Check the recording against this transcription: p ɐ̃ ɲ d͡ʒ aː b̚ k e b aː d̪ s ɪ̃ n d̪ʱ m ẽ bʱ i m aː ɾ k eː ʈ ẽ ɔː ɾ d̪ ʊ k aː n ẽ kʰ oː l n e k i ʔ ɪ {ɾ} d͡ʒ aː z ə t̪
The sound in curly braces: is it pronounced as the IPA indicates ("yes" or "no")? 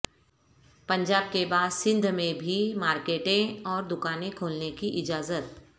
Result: no